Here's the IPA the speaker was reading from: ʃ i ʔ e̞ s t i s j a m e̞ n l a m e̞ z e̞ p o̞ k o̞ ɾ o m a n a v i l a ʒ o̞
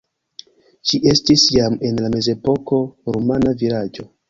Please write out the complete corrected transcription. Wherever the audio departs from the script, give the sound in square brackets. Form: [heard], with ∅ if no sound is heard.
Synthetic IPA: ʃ i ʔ e̞ s t i s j a m e̞ n l a m e̞ z e̞ p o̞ k o̞ ɾ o m a n a v i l a [d͡ʒ] o̞